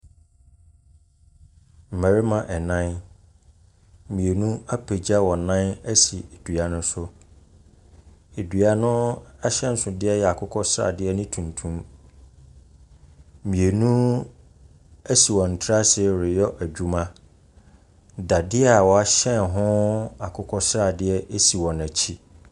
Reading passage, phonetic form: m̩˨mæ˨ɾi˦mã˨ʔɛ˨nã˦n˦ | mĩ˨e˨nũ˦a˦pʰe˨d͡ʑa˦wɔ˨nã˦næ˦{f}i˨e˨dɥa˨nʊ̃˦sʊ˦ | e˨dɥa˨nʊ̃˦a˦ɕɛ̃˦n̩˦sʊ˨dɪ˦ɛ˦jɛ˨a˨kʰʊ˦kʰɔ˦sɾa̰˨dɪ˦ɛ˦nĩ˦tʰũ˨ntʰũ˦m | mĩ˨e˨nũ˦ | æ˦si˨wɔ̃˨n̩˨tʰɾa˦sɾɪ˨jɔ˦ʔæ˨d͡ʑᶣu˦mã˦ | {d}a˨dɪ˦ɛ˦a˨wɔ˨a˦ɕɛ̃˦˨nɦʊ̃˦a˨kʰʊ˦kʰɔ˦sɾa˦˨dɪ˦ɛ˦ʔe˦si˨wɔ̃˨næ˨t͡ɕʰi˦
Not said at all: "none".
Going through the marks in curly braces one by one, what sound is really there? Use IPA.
s, d

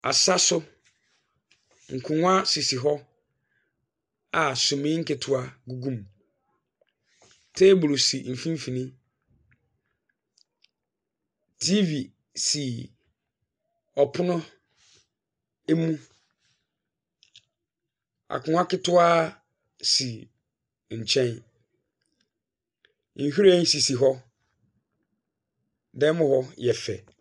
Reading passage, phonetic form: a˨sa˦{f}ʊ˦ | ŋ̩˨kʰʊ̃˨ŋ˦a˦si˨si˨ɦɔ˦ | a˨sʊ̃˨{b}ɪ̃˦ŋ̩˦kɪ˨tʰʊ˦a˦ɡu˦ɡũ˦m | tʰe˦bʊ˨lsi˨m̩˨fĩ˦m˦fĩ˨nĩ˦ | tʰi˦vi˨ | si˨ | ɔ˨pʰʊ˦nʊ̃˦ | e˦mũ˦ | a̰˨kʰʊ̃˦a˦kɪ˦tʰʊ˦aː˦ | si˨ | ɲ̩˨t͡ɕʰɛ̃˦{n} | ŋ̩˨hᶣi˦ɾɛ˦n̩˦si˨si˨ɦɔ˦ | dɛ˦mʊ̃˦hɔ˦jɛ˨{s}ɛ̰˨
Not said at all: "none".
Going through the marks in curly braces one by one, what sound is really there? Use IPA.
s, m, n, f

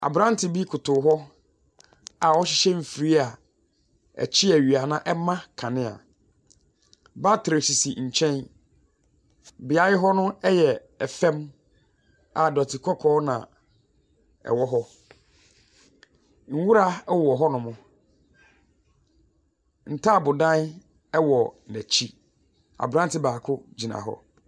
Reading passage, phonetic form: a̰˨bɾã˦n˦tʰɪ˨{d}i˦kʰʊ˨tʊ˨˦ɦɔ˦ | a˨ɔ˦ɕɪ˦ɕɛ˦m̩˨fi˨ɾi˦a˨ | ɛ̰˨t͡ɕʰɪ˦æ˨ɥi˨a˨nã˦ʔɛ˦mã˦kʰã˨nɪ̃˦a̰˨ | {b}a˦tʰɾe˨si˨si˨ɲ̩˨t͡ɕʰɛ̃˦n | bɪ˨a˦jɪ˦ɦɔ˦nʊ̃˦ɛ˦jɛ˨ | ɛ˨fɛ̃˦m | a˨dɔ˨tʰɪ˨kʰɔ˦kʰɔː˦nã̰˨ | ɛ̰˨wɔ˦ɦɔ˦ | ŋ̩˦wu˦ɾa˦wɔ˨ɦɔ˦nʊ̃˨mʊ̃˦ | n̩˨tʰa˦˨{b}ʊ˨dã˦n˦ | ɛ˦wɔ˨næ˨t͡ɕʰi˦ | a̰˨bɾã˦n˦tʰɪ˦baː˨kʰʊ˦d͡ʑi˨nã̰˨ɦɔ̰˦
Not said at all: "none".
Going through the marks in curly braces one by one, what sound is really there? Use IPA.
b, b, b

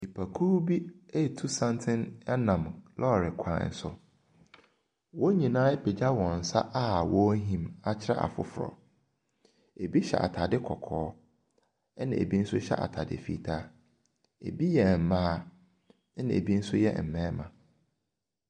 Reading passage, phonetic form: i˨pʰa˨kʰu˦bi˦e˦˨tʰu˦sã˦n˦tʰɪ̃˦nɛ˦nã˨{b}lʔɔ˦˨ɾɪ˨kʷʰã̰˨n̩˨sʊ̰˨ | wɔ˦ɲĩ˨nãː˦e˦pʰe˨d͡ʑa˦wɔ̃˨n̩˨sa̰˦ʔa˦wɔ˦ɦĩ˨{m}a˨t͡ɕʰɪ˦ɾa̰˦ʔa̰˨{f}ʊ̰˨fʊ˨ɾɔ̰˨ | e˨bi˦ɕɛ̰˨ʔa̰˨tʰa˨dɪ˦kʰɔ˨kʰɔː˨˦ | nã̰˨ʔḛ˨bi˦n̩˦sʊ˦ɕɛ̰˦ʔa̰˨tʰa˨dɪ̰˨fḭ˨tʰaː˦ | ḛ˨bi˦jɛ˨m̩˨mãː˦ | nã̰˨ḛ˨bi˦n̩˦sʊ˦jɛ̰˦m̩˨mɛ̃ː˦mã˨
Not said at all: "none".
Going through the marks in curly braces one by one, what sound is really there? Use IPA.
m, m, f

